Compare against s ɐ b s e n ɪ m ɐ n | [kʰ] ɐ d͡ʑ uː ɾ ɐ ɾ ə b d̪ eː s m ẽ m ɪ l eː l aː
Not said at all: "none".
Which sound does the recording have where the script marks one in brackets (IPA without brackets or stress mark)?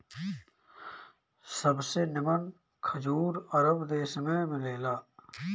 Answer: kʰ